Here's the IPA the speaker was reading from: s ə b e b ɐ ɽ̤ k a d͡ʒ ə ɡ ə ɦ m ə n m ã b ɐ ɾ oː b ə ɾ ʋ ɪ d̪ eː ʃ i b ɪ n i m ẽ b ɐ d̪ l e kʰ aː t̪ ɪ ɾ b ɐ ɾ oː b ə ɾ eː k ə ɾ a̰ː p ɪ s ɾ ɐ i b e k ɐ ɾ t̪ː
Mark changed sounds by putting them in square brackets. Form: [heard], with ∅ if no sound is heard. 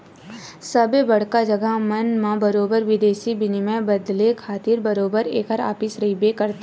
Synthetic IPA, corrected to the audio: s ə b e b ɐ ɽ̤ k a d͡ʒ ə ɡ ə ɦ m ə n m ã b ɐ ɾ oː b ə ɾ ʋ ɪ d̪ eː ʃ i b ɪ n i m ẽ b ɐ d̪ l e kʰ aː t̪ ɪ ɾ b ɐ ɾ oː b ə ɾ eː k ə ɾ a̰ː p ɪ s ɾ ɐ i b e k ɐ ɾ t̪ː